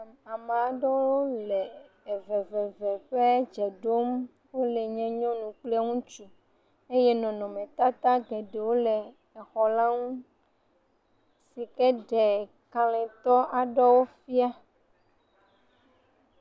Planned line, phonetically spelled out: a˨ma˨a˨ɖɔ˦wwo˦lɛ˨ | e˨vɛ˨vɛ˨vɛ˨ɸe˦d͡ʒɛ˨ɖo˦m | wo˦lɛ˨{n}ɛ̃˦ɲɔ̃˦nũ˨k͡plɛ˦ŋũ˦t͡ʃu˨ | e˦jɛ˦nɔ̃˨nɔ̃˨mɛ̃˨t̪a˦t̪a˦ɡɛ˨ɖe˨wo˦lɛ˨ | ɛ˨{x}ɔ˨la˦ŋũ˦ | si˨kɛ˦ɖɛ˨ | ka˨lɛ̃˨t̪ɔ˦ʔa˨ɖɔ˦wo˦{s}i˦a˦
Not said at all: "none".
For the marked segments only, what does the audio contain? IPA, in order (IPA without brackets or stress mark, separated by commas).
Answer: ɲ, x, f